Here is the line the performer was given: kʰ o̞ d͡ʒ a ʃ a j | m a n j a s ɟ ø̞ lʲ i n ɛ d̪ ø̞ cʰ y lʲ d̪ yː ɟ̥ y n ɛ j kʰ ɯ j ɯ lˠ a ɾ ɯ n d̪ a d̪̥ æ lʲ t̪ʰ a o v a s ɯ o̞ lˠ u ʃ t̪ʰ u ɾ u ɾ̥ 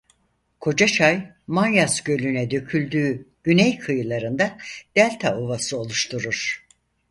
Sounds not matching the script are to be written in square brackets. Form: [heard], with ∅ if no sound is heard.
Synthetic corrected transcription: kʰ o̞ d͡ʒ a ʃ a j | m a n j a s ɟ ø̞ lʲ [y] n ɛ d̪ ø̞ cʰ y lʲ d̪ yː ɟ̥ y n ɛ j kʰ ɯ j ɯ lˠ a ɾ ɯ n d̪ a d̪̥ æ lʲ t̪ʰ a o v a s ɯ o̞ lˠ u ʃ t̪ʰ u ɾ u ɾ̥